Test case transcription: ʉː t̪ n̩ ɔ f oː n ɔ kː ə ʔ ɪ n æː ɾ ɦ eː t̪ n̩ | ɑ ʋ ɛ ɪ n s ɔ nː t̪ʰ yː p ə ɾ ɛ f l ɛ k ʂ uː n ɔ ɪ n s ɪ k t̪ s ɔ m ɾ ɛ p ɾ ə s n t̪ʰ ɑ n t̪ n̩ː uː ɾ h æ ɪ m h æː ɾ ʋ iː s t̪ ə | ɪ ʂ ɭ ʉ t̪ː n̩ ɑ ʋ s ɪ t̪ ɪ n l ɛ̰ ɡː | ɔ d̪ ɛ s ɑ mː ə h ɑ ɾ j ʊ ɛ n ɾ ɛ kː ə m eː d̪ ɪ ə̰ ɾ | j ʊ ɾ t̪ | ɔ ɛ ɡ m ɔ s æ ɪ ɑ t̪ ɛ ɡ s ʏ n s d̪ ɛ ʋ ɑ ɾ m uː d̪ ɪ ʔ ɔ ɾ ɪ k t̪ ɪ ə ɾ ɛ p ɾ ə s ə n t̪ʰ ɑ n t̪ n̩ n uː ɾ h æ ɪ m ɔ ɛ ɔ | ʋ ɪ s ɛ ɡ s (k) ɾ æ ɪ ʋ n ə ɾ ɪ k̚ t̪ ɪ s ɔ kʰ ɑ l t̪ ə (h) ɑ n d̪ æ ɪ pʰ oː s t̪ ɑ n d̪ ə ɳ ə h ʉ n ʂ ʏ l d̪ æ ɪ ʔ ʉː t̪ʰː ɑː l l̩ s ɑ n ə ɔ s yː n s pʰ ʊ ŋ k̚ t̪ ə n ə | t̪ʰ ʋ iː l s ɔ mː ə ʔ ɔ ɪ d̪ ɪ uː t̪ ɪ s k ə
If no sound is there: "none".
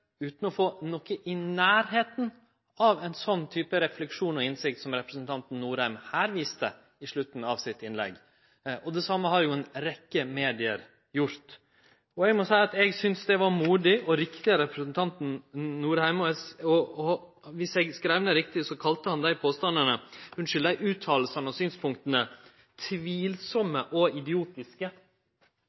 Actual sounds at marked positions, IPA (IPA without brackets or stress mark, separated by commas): k, h